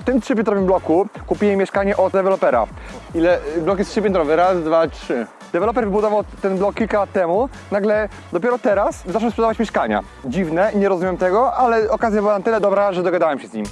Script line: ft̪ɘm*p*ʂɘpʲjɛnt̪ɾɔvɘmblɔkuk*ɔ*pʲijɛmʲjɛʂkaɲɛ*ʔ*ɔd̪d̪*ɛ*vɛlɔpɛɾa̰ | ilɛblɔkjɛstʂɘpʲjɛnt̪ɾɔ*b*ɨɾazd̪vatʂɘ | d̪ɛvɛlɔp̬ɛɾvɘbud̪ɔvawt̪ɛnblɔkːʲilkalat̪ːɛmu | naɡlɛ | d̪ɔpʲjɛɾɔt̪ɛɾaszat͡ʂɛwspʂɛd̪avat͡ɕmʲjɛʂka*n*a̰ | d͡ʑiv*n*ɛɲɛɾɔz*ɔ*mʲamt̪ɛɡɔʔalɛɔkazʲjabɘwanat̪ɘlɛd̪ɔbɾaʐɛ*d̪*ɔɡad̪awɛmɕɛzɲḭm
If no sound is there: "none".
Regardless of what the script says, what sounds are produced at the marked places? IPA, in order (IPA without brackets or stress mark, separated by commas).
t, u, ʔ, ɛ, v, ɲ, n, u, d̪